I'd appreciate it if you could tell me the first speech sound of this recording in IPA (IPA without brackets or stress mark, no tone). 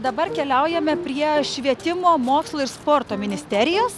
d̪